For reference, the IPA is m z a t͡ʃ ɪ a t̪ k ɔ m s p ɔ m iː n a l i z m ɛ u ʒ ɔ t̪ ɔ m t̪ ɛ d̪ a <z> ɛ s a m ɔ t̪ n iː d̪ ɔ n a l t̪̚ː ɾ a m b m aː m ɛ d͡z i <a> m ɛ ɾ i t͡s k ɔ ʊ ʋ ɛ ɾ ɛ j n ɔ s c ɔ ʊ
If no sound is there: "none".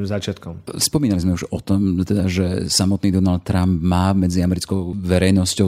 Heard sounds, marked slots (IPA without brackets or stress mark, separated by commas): ʒ, a